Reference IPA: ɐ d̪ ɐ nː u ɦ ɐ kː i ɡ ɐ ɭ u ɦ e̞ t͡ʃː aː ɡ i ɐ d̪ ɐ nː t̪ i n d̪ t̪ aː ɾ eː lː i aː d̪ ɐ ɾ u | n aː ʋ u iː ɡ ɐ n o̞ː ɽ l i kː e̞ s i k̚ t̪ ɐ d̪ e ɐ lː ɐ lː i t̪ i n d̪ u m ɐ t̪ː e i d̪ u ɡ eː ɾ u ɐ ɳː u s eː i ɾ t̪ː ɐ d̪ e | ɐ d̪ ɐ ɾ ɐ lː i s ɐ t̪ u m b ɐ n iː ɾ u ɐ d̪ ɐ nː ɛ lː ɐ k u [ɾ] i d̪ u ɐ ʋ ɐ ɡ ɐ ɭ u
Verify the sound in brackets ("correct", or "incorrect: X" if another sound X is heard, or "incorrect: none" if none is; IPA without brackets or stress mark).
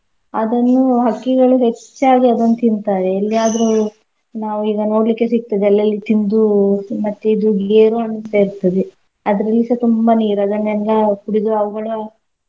incorrect: ɽ